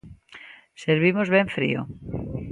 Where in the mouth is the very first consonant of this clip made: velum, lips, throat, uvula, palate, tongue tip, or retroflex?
tongue tip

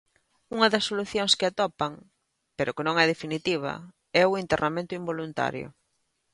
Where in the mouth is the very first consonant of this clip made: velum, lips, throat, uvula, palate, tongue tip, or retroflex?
velum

